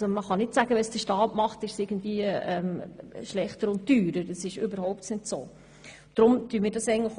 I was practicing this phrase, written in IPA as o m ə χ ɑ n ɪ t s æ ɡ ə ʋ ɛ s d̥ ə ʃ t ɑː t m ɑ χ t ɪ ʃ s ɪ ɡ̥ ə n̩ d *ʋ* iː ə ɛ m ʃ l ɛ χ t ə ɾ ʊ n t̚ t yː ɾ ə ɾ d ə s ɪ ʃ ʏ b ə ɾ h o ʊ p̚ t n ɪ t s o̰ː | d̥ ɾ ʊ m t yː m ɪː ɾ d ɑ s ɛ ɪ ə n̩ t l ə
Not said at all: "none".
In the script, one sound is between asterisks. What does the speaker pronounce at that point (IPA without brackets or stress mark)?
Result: v